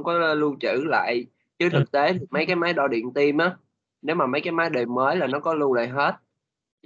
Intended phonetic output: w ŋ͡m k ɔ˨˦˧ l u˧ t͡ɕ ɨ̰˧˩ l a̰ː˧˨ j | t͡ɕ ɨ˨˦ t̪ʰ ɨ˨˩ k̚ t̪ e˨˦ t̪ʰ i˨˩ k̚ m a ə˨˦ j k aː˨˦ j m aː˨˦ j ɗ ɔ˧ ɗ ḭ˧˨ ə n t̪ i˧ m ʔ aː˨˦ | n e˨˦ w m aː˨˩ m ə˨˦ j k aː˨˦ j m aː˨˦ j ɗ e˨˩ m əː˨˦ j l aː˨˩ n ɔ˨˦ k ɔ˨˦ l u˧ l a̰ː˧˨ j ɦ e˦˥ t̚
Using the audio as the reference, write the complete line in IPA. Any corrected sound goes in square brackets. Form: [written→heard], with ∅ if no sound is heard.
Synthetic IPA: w ŋ͡m k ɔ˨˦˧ l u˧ t͡ɕ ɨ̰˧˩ l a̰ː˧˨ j | t͡ɕ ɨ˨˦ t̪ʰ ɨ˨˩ k̚ t̪ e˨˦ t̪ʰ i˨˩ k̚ m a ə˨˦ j k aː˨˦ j m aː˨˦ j ɗ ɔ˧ ɗ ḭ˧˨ ə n t̪ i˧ m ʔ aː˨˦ | n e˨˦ w m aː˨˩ m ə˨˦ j k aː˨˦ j m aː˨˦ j ɗ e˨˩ m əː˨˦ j l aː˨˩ n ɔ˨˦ k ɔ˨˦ l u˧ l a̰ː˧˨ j ɦ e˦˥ t̚